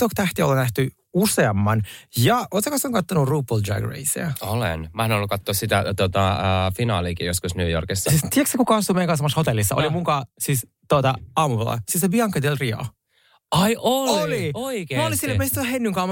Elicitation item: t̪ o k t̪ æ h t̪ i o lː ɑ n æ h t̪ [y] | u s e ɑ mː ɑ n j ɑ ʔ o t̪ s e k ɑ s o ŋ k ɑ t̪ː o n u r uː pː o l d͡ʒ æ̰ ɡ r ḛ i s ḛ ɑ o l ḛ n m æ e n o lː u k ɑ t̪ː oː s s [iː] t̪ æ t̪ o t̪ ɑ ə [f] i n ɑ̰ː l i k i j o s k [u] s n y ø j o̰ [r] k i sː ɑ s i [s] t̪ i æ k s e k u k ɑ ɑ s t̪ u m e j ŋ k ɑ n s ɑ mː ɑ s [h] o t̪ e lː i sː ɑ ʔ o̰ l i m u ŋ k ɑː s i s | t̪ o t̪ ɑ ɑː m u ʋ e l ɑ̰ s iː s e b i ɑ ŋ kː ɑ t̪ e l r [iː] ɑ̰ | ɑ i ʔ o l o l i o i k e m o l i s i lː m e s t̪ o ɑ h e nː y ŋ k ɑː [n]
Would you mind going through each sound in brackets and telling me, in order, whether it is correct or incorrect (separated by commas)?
correct, incorrect, correct, correct, correct, correct, correct, incorrect, incorrect